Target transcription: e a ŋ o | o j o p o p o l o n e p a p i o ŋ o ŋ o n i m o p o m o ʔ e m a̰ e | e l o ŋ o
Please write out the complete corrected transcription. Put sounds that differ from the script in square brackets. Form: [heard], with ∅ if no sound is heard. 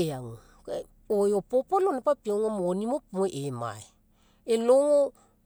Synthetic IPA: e a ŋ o | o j o p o p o l o n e p a p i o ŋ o [m] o n i m o p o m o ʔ e m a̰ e | e l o ŋ o